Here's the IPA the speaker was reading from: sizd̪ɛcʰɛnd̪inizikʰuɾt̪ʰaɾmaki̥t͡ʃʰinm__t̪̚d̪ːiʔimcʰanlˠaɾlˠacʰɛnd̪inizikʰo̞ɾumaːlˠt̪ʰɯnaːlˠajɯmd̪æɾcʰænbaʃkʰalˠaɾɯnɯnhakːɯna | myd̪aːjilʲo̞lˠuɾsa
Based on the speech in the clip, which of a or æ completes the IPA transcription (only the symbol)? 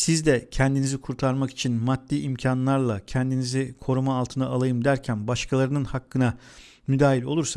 a